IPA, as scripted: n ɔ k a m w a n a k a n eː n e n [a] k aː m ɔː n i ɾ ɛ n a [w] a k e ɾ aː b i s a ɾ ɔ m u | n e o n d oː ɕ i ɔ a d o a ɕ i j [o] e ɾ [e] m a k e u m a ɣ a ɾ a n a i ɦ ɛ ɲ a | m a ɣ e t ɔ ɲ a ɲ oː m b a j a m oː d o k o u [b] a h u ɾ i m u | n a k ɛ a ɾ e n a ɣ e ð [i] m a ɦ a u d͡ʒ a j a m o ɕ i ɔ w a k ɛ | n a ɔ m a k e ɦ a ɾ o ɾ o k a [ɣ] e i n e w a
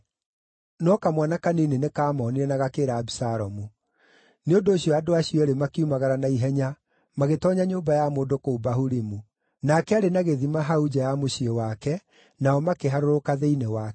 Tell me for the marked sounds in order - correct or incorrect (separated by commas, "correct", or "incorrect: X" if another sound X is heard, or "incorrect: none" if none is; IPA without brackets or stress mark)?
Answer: incorrect: e, incorrect: ɣ, incorrect: ɔ, correct, correct, correct, incorrect: ð